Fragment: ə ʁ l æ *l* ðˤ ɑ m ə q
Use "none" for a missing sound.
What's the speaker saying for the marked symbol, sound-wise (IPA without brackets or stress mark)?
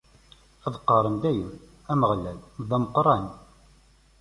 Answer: l